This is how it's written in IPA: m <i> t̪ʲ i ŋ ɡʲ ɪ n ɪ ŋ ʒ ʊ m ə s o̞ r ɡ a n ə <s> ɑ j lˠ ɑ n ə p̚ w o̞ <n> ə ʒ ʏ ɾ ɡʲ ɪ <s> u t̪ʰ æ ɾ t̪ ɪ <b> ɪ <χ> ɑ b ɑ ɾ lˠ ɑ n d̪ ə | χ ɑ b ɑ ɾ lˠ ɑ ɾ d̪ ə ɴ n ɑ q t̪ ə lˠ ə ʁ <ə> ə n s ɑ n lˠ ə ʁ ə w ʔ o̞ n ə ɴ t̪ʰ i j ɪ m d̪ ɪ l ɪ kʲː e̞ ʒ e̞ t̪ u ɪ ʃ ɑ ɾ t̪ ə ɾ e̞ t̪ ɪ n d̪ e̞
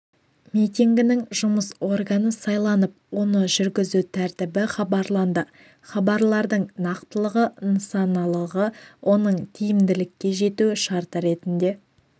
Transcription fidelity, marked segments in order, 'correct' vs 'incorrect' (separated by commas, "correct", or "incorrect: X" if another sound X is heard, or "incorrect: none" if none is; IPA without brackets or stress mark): correct, correct, correct, incorrect: z, correct, correct, correct